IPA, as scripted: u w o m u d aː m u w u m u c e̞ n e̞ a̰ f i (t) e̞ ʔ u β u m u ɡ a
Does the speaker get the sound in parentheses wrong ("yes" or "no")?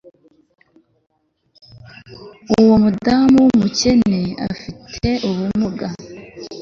yes